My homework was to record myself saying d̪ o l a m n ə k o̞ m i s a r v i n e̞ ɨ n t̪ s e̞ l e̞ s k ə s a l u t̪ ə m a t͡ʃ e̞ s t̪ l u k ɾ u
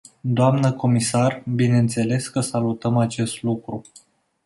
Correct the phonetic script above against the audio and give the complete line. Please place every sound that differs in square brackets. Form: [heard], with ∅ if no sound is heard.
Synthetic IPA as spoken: d̪ o [∅] a m n ə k o̞ m i s a r [b] i n e̞ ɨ n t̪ s e̞ l e̞ s k ə s a l u t̪ ə m a t͡ʃ e̞ s t̪ l u k ɾ u